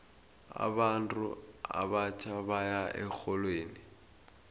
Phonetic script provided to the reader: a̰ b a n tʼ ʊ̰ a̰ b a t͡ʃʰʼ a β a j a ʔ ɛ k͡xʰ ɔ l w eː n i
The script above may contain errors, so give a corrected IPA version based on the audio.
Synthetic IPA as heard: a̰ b a n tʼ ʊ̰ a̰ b a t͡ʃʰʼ a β a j a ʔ ɛ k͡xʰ ɔ l w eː n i

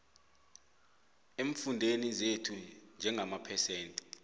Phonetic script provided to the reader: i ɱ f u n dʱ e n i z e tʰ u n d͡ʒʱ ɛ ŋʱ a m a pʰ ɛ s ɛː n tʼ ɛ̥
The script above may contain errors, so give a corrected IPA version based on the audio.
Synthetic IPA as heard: e ɱ f u n dʱ e n i z e tʰ u n d͡ʒʱ ɛ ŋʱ a m a pʰ ɛ s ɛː n tʼ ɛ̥

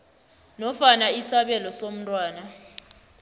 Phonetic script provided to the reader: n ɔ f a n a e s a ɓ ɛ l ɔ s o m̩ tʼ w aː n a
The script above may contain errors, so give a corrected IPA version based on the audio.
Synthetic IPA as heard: n ɔ f a n a i s a ɓ ɛ l ɔ s o m̩ tʼ w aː n a

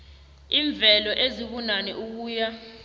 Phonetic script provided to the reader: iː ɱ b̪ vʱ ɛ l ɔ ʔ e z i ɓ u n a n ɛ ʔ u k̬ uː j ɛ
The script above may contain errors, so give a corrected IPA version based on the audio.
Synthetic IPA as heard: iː ɱ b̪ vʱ ɛ l ɔ ʔ e z i ɓ u n a n ɛ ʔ u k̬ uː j a

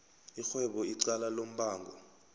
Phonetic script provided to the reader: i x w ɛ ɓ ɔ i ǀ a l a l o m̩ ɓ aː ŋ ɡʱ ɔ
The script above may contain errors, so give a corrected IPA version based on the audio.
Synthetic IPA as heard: i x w ɛ ɓ ɔ i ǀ a l a l o m̩ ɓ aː ŋ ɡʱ ɔ

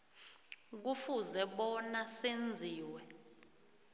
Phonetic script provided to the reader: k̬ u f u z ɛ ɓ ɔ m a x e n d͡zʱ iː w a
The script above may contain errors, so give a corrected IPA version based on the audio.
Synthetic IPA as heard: k̬ u f u z ɛ ɓ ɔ n a s e n d͡zʱ iː w ɛ

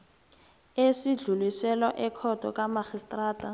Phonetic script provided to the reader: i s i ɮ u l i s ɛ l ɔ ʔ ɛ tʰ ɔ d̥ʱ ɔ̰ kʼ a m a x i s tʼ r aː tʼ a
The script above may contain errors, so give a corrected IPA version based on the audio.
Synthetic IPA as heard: e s i ɮ u l i s ɛ l ɔ ʔ ɛ kʰ ɔ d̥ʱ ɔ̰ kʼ a m a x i s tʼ r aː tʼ a

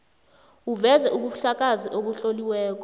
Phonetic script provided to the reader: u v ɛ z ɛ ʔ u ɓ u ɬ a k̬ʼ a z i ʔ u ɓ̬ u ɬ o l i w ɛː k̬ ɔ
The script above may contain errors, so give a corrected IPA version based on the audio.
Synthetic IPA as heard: u v ɛ z ɛ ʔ u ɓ u ɬ a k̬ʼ a z i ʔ o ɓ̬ u ɬ o l i w ɛː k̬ ɔ

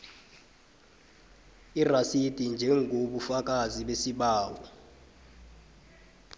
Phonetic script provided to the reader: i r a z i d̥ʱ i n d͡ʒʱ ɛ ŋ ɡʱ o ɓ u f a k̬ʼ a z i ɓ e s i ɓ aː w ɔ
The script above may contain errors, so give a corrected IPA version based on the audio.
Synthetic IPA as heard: i r a s i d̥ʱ i n d͡ʒʱ ɛ ŋ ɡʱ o ɓ u f a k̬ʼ a z i ɓ e s i ɓ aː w ɔ

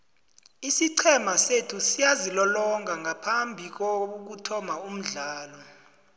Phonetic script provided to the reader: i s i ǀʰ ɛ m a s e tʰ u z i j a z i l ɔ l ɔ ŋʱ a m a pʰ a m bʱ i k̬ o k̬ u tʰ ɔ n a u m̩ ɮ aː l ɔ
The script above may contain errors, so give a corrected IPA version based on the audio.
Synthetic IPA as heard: i s i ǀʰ ɛ m a s e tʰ u s i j a z i l ɔ l ɔ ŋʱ a ŋ a pʰ a m bʱ i k̬ o k̬ u tʰ ɔ m a u m̩ ɮ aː l ɔ

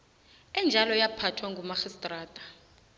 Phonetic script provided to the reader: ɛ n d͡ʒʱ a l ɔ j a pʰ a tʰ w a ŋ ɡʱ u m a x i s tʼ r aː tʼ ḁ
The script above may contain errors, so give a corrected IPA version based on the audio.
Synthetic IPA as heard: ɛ n d͡ʒʱ a l ɔ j a pʰ a tʰ w a ŋ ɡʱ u m a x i s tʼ r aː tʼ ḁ

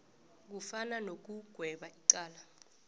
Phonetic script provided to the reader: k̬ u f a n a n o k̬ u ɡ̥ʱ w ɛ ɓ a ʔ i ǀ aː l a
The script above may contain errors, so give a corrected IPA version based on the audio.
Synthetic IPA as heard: k̬ u f a n a n o k̬ u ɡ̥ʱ w ɛ ɓ a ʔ i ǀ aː l a

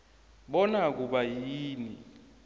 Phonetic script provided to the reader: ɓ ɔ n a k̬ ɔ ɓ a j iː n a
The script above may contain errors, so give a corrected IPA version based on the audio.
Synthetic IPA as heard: ɓ ɔ n a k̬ u ɓ a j iː n i

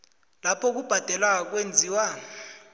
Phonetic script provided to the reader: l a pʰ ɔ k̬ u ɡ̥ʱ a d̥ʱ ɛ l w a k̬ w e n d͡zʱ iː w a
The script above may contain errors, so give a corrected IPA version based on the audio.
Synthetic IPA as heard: l a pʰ ɔ k̬ u b̥ʱ a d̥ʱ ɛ l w a k̬ w e n d͡zʱ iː w a

